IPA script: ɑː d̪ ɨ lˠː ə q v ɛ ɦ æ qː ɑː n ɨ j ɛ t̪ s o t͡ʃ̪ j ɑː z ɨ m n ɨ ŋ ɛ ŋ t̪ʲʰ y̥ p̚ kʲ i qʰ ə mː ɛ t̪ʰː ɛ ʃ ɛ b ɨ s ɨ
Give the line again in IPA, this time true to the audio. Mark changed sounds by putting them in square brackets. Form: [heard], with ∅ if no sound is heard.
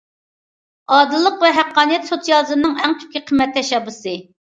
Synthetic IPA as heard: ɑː d̪ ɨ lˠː ə q v ɛ ɦ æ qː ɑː n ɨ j ɛ t̪ s o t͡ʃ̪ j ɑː z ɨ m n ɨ ŋ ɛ ŋ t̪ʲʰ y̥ p̚ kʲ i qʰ ə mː ɛ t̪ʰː ɛ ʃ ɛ b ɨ s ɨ